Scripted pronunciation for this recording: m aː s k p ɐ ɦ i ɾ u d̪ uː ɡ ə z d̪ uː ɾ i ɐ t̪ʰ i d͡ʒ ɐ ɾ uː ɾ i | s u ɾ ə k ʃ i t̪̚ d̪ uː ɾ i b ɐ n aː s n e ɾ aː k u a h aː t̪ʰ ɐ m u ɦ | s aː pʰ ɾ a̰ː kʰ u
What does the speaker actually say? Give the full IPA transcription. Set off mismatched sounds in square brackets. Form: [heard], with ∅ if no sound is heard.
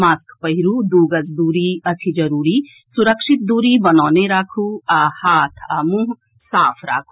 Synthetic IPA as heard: m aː s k p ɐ ɦ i ɾ u d̪ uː ɡ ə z d̪ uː ɾ i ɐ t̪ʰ i d͡ʒ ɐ ɾ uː ɾ i | s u ɾ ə k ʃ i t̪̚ d̪ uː ɾ i b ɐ n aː [∅] n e ɾ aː [kʰ] u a h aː t̪ʰ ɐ m u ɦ | s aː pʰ ɾ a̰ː kʰ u